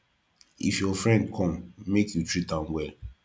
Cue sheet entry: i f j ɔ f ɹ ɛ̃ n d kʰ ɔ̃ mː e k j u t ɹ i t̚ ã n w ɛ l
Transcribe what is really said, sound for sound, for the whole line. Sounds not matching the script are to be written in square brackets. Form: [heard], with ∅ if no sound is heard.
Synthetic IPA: i f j ɔ f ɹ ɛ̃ n d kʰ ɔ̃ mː e k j u t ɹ i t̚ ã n w ɛ l